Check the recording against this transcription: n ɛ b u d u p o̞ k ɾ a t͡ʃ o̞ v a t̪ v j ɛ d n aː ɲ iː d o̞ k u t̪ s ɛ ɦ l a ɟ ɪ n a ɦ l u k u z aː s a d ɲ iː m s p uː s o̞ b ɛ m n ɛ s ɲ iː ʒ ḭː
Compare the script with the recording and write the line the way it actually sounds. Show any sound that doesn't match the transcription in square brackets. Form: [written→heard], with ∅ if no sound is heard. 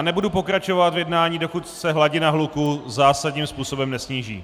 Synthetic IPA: n ɛ b u d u p o̞ k ɾ a t͡ʃ o̞ v a t̪ v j ɛ d n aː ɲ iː d o̞ k u t̪ s ɛ ɦ l a ɟ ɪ n a ɦ l u k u z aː s a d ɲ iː m s p uː s o̞ b ɛ m n ɛ s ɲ iː ʒ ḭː